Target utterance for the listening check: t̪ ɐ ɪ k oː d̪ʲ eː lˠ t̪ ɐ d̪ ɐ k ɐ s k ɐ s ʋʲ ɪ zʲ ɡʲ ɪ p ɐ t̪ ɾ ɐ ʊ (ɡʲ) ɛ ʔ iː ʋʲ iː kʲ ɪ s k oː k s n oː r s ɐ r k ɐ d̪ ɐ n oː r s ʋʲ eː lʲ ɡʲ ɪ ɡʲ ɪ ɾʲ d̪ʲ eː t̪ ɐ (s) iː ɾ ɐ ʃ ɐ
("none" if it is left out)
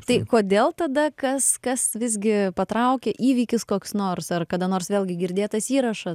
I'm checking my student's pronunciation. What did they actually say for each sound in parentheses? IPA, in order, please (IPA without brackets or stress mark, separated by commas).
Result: kʲ, s